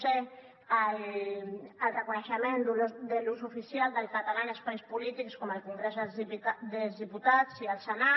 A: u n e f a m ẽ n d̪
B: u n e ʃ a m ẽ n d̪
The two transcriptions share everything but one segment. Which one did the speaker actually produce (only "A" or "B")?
B